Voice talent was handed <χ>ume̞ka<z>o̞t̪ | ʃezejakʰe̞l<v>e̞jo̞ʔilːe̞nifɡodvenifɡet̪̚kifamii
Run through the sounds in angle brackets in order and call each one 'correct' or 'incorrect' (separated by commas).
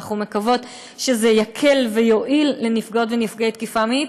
correct, incorrect, correct